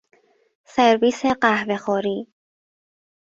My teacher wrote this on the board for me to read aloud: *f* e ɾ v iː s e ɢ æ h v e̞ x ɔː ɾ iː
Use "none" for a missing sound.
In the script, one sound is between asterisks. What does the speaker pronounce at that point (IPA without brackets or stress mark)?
s